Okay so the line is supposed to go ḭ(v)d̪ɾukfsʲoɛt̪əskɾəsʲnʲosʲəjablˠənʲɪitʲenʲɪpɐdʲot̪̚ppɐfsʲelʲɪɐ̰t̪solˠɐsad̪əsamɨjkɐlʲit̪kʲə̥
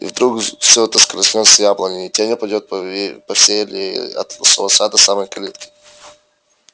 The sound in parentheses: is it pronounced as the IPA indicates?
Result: yes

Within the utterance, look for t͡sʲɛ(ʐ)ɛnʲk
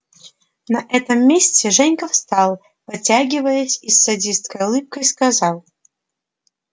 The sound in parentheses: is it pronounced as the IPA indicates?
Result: yes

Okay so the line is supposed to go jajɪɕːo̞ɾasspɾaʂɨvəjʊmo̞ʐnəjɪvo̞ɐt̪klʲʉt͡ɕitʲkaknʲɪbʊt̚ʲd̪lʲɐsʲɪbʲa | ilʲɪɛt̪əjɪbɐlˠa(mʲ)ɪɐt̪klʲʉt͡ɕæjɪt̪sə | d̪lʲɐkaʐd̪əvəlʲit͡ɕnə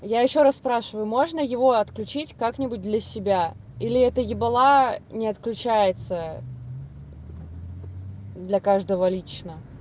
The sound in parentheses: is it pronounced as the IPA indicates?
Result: no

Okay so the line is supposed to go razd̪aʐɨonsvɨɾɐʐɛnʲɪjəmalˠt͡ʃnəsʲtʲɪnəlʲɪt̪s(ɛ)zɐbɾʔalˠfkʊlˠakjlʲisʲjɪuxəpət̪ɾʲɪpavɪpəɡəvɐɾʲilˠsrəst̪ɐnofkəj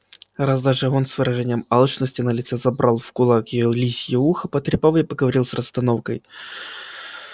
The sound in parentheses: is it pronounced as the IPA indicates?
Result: yes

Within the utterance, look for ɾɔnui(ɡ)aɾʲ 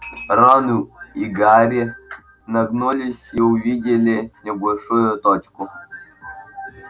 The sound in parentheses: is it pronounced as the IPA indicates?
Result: yes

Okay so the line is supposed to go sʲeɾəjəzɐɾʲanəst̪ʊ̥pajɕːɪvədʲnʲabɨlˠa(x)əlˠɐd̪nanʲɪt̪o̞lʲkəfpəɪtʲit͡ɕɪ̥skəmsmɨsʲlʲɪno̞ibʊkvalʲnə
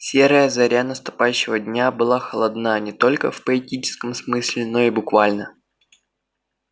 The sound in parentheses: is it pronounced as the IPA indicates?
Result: yes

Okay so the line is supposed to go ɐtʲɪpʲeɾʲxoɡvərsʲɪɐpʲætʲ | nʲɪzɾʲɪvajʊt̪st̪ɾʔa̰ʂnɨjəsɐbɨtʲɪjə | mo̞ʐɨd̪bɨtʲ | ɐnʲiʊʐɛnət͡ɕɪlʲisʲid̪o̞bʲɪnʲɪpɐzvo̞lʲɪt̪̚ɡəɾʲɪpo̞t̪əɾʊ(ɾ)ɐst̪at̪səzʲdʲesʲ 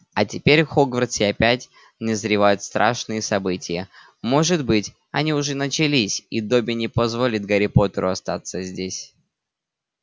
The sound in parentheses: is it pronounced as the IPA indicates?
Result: no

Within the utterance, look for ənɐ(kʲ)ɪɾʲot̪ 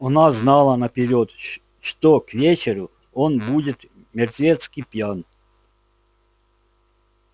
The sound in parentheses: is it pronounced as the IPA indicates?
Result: no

